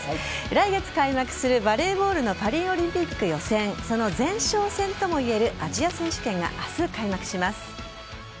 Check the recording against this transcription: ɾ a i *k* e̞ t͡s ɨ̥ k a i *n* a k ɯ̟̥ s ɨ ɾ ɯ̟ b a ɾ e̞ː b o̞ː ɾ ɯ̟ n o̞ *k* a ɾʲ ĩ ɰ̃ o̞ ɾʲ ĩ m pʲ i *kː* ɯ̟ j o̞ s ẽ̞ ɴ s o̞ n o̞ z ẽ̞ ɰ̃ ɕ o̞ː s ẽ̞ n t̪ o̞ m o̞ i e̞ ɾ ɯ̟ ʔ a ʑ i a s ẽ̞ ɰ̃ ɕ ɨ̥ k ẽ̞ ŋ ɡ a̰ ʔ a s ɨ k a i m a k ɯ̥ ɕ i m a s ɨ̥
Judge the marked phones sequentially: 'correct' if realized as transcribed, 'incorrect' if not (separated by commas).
incorrect, incorrect, incorrect, correct